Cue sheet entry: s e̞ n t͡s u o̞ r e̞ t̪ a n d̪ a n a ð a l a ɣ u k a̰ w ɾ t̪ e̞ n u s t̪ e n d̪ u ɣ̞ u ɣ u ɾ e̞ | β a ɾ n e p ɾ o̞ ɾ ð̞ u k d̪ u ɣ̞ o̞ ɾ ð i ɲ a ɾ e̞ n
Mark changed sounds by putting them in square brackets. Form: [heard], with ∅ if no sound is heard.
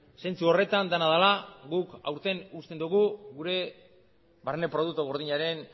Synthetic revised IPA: s e̞ n t͡s u o̞ r e̞ t̪ a n d̪ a n a ð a l a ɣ u k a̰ w ɾ t̪ e̞ n u s t̪ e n d̪ u ɣ̞ u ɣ u ɾ e̞ | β a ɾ n e p ɾ o̞ [∅] ð̞ u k [t̪] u ɣ̞ o̞ ɾ ð i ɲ a ɾ e̞ n